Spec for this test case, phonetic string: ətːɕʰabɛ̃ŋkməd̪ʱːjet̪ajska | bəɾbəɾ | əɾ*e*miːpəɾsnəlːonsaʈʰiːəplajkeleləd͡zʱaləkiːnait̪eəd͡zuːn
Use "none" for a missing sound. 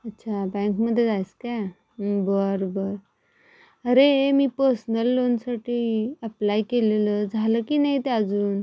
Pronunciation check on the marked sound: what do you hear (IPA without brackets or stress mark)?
e